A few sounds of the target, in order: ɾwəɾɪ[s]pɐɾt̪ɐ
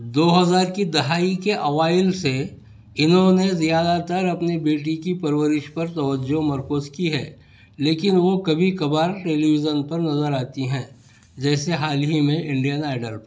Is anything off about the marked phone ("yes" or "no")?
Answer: yes